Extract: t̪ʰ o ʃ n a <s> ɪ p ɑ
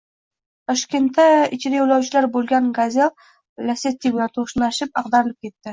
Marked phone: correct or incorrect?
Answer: incorrect